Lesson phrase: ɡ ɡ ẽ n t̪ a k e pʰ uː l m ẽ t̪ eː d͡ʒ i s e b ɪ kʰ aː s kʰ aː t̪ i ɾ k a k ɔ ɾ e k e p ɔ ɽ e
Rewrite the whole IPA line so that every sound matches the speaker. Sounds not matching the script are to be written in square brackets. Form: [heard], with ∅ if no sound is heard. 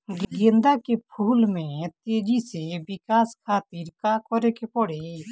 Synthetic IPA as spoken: ɡ ɡ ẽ n [d̪] a k e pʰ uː l m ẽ t̪ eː d͡ʒ i s e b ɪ [k] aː s kʰ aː t̪ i ɾ k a k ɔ ɾ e k e p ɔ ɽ e